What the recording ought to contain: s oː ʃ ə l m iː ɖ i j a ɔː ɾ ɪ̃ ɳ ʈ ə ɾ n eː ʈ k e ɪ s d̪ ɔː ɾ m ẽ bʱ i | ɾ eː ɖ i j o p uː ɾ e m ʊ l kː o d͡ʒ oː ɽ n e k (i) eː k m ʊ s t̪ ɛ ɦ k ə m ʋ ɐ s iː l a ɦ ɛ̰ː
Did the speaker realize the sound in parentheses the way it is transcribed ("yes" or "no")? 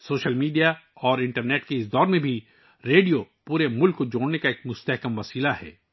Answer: no